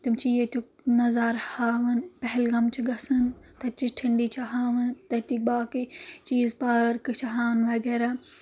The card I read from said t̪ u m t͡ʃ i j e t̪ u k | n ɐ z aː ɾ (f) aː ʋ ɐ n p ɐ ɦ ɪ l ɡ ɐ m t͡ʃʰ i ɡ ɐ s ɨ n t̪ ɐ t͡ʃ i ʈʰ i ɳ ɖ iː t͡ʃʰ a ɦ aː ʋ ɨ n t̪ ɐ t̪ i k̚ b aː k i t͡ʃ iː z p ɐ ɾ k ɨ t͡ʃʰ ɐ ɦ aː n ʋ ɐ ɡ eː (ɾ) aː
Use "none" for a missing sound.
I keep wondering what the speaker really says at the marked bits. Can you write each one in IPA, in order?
h, ɾ

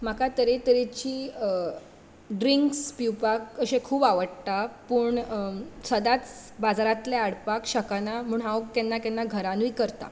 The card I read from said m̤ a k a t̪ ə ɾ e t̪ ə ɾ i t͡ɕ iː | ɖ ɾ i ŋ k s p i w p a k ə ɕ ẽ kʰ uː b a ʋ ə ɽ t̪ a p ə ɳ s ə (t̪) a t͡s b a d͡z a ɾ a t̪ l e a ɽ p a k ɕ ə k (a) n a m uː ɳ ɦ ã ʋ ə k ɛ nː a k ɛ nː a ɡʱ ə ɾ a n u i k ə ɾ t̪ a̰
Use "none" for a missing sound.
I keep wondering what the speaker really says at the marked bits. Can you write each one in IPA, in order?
d̪, a

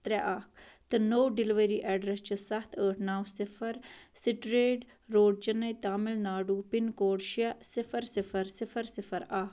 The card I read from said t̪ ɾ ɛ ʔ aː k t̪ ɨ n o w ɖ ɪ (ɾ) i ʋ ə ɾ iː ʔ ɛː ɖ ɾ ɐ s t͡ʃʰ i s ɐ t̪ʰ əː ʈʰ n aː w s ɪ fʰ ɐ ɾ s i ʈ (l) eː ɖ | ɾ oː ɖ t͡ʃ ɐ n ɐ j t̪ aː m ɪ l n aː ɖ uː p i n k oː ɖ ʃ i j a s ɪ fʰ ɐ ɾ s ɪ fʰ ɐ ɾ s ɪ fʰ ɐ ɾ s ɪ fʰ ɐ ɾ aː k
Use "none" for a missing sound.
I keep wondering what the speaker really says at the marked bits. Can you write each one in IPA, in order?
l, ɾ

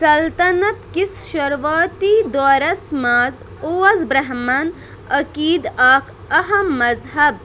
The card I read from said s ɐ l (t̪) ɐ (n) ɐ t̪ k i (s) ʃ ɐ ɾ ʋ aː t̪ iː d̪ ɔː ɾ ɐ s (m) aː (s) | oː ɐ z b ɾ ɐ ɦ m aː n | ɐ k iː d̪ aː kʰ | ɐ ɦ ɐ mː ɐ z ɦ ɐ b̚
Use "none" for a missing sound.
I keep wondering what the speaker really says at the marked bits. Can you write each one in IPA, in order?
t̪, n, s, m, z

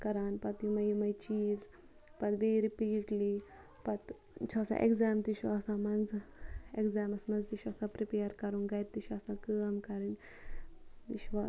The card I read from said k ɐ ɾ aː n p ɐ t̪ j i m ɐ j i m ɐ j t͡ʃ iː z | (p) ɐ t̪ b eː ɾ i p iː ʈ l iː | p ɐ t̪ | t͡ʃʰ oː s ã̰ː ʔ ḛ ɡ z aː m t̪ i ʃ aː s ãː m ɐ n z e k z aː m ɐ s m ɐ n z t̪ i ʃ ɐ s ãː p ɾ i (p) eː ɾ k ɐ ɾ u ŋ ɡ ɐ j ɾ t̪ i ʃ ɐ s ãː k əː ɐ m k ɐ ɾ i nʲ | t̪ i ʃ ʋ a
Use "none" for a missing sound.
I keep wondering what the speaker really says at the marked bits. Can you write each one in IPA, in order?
p, p

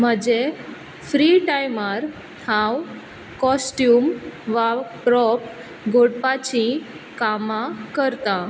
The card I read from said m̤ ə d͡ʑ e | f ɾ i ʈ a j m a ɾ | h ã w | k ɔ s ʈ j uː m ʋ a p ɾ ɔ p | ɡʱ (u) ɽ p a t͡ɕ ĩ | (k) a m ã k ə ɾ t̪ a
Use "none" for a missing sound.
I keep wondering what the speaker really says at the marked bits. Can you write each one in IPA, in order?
o, k

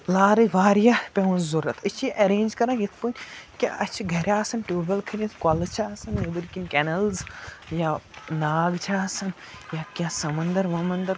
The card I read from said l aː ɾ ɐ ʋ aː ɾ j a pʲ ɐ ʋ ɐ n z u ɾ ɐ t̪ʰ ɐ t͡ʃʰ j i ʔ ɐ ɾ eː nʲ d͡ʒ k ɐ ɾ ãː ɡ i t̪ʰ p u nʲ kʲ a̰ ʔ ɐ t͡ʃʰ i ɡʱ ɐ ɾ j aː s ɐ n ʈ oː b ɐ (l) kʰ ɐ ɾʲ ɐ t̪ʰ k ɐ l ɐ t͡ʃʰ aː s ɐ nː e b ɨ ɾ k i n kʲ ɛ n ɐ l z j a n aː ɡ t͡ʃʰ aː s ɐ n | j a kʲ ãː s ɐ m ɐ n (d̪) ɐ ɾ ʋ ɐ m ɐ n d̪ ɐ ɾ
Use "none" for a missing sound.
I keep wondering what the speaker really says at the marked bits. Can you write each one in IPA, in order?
l, d̪

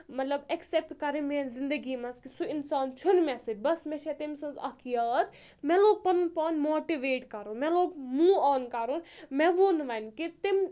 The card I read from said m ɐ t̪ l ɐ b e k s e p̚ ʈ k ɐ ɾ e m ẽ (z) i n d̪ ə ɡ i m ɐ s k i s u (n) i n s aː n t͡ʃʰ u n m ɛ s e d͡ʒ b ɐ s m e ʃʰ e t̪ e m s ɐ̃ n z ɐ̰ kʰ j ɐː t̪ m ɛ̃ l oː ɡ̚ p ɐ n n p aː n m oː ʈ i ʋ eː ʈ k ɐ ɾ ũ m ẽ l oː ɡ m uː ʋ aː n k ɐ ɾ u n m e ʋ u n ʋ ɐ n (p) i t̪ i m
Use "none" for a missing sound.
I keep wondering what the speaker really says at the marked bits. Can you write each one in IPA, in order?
z, none, k

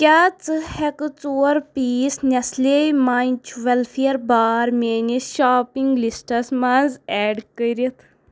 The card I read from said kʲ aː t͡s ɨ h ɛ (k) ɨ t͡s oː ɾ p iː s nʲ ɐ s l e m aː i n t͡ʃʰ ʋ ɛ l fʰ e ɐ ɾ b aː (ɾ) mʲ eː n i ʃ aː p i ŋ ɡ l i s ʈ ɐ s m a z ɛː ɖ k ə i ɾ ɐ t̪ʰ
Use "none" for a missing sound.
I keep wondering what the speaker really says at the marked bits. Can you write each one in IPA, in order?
k, ɾ

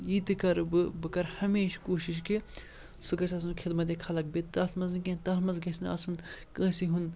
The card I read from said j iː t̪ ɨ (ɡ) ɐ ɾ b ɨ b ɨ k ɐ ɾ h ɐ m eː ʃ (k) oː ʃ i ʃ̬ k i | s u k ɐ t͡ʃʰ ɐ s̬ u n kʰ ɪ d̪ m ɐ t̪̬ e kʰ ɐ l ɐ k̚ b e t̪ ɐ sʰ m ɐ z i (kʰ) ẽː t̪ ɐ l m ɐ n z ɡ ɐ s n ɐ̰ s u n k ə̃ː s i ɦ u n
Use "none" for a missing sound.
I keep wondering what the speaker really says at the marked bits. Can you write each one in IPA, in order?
k, k, k

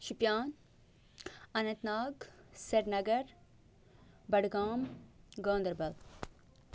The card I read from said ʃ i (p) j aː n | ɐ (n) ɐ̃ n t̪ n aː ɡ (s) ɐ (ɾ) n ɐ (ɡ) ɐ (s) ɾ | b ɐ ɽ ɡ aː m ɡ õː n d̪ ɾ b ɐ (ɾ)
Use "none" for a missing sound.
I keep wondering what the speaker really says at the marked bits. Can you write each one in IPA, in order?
p, n, s, ɾ, ɡ, none, l

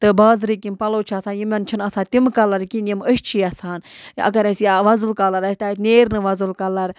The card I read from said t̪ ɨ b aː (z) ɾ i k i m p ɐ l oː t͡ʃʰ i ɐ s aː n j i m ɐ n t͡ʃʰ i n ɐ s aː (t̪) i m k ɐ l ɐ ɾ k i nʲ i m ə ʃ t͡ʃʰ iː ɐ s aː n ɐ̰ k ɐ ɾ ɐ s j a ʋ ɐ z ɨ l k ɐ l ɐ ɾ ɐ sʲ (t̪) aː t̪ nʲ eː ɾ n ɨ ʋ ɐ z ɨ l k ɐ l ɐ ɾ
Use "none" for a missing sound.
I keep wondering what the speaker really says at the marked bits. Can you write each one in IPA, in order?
z, t̪, t̪

